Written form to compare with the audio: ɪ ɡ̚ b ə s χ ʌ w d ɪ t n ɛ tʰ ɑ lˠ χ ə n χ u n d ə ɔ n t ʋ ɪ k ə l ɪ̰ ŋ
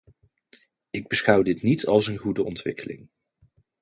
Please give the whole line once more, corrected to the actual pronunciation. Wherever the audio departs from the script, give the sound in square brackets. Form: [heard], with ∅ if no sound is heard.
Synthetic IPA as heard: ɪ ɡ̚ b ə s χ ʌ w d ɪ t n [i] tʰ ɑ lˠ [s] ə n χ u [∅] d ə ɔ n t ʋ ɪ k ə l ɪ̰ ŋ